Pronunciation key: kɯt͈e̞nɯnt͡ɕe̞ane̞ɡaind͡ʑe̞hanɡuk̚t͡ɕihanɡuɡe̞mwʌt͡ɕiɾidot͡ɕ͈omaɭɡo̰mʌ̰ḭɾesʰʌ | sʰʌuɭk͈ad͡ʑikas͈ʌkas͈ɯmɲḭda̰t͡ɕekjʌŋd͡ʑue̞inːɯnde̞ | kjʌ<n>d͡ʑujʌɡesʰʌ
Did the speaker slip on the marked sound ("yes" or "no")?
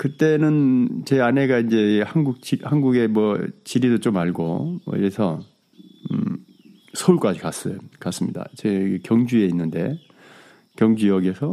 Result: yes